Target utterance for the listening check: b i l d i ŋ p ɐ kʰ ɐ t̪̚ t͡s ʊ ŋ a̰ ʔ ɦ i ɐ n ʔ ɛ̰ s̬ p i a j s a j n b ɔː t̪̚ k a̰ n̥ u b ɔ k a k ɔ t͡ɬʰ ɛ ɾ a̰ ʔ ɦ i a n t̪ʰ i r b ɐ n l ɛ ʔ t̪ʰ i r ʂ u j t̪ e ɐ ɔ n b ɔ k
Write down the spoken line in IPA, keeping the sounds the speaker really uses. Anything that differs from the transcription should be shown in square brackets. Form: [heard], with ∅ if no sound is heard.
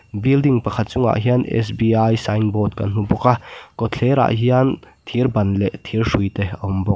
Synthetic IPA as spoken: b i l d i ŋ p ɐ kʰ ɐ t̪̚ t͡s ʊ ŋ a̰ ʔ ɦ i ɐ n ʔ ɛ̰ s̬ [b] i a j s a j n b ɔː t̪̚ k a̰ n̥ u b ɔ k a k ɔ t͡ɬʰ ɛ ɾ a̰ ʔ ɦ i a n t̪ʰ i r b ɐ n l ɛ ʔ t̪ʰ i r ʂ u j t̪ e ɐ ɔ [m] b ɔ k